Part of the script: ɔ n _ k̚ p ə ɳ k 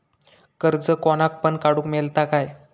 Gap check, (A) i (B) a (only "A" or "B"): B